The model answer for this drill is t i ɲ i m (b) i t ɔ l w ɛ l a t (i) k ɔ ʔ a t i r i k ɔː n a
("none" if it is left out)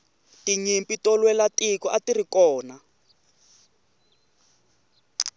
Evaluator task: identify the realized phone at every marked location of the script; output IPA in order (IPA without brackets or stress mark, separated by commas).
p, i